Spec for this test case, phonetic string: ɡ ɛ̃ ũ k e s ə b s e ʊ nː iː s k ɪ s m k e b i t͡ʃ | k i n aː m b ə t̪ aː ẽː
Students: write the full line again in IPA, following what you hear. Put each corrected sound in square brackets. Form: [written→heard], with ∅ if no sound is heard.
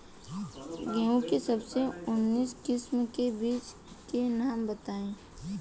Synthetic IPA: ɡ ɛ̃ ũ k e s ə b s e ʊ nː iː s k ɪ s m k e b [i→iː] t͡ʃ | k [i→e] n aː m b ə t̪ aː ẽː